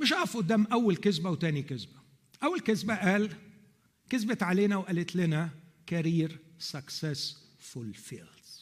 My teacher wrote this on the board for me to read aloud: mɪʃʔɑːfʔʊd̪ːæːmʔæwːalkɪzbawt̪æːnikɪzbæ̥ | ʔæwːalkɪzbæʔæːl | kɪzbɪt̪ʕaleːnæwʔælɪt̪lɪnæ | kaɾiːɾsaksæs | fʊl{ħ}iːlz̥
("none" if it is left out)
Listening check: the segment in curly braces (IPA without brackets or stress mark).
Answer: f